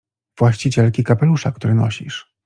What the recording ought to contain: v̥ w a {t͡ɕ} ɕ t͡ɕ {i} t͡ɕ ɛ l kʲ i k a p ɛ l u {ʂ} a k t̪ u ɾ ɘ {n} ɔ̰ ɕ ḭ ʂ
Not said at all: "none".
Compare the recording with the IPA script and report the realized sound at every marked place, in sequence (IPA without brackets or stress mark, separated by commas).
none, i, ʂ, n